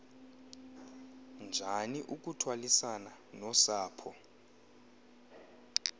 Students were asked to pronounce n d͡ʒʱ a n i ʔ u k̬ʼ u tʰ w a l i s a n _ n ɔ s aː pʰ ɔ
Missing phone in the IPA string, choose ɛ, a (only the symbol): a